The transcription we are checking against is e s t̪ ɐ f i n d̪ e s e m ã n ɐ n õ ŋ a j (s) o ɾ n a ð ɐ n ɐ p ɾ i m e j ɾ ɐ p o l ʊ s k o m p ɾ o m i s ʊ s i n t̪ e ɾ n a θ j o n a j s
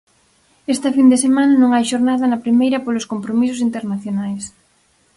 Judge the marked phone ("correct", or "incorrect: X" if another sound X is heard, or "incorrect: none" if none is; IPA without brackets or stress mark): incorrect: ʃ